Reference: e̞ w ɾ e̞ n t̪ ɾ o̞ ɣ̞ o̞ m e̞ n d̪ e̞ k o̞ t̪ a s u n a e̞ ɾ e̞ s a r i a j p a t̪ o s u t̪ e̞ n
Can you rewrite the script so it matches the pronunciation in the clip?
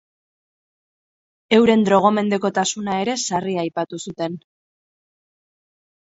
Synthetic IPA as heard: e̞ w ɾ e̞ n d̪ ɾ o̞ ɣ̞ o̞ m e̞ n d̪ e̞ k o̞ t̪ a s u n a e̞ ɾ e̞ s a r i a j p a t̪ u s u t̪ e̞ n